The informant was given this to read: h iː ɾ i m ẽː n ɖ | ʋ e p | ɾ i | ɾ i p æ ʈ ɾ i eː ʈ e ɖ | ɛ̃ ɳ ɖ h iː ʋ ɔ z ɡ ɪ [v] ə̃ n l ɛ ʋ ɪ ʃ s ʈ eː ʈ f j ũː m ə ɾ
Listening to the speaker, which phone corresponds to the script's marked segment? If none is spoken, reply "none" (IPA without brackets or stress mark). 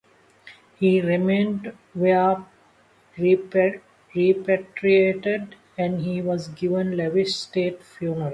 ʋ